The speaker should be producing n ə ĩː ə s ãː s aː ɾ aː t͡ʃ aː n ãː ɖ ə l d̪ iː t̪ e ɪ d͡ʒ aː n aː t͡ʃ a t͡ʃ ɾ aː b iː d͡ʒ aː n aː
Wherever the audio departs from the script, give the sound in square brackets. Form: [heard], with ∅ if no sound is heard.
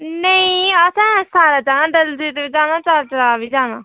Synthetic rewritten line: n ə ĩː ə s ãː s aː ɾ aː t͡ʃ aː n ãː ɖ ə l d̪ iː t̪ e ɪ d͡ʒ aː n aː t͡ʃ a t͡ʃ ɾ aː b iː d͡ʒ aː n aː